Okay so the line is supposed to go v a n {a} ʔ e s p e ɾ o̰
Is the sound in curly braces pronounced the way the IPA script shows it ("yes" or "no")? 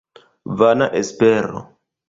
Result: yes